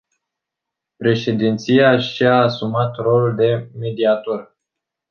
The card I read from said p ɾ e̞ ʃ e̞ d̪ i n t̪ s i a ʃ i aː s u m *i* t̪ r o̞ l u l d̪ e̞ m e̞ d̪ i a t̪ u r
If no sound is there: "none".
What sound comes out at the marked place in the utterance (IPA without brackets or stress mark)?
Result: a